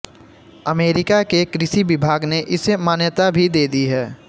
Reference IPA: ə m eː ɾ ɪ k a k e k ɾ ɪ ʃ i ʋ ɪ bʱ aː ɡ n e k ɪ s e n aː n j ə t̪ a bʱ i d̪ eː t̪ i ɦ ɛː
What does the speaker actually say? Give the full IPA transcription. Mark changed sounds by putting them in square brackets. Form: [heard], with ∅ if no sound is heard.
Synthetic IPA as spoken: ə m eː ɾ ɪ k a k e k ɾ ɪ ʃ i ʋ ɪ bʱ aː ɡ n e [ʔ] ɪ s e [m] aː n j ə t̪ a bʱ i d̪ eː [d̪] i ɦ ɛː